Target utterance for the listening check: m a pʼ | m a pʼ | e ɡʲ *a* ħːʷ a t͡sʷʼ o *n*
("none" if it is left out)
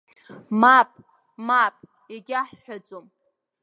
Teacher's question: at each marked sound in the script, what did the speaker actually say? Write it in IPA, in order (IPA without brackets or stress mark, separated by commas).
a, m